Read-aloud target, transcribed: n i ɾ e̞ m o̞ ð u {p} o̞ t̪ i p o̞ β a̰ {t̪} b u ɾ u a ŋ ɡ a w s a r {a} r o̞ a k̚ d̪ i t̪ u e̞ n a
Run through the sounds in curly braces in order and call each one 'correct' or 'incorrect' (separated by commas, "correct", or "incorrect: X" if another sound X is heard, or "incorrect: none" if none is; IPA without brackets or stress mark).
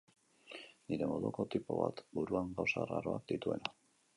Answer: incorrect: k, correct, correct